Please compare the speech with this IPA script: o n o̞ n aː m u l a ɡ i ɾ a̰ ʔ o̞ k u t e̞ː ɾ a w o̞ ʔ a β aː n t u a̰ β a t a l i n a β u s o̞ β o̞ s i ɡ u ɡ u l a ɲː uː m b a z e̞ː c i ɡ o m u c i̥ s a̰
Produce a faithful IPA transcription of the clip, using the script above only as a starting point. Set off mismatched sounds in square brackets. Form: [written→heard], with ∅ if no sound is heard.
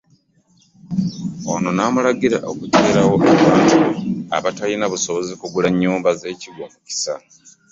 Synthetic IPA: o n o̞ n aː m u l a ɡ i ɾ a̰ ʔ o̞ k u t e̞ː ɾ a w o̞ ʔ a β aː n t u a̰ β a t a l i n a β u s o̞ β o̞ [s→z] i [ɡ→k] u ɡ u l a ɲː uː m b a z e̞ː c i ɡ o m u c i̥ s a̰